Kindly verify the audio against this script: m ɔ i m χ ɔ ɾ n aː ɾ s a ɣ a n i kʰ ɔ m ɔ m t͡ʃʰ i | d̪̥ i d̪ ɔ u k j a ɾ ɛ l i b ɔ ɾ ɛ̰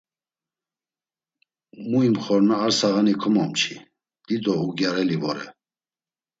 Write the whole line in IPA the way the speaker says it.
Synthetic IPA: m u i m χ ɔ ɾ n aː ɾ s a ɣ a n i kʰ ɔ m ɔ m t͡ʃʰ i | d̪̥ i d̪ ɔ u ɡ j a ɾ ɛ l i v ɔ ɾ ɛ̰